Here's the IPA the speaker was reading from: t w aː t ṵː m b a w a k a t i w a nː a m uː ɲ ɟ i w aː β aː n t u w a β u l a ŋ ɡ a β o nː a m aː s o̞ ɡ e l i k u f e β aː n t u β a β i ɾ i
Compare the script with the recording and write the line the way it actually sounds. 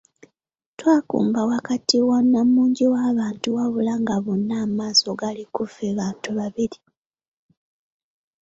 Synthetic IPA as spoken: t w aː k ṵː m b a w a k a t i w a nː a m uː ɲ ɟ i w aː β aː n t u w a β u l a ŋ ɡ a β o nː a m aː s o̞ ɡ a l i k u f e β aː n t u β a β i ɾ i